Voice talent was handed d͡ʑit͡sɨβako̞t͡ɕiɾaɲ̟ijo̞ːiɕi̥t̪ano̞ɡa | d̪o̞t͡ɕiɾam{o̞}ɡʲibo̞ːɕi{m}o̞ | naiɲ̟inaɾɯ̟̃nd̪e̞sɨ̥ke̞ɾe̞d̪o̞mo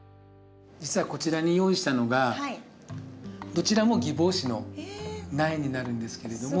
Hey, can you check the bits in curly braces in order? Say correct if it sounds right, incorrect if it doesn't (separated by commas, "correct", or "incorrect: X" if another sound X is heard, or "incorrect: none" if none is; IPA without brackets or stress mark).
correct, incorrect: n